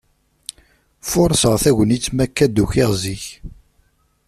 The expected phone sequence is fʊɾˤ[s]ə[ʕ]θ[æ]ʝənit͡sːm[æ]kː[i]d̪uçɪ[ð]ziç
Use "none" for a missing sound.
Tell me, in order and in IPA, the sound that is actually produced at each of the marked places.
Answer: s, ʁ, æ, æ, æ, ʁ

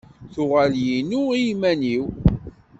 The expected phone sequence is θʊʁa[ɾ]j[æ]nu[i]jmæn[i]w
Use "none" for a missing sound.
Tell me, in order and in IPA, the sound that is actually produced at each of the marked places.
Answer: l, i, i, i

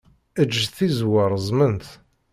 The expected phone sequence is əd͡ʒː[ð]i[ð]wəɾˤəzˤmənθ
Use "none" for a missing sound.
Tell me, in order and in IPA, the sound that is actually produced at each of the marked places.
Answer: θ, z

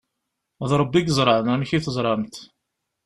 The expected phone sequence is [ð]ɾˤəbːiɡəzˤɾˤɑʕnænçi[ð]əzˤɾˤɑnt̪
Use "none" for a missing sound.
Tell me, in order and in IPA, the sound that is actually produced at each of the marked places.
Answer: ð, θ

